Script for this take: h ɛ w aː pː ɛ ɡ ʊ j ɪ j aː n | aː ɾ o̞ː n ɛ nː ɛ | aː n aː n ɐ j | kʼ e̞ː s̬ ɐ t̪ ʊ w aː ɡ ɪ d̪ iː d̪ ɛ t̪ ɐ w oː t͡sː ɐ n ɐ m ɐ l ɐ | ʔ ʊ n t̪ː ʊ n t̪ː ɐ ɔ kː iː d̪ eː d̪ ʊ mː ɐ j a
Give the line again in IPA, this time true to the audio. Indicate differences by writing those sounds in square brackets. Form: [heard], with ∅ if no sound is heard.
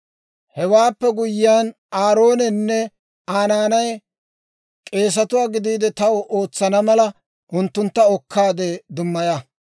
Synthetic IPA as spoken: h ɛ w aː pː ɛ ɡ ʊ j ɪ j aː n | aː ɾ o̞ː n ɛ nː ɛ | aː n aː n ɐ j | kʼ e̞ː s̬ ɐ t̪ ʊ w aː ɡ ɪ d̪ iː d̪ ɛ t̪ ɐ w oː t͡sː ɐ n ɐ m ɐ l ɐ | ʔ ʊ n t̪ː ʊ n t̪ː ɐ ɔ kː [aː] d̪ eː d̪ ʊ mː ɐ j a